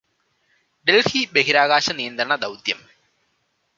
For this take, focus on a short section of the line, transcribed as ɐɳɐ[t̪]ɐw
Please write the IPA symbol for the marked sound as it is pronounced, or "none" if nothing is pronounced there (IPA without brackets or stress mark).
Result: d̪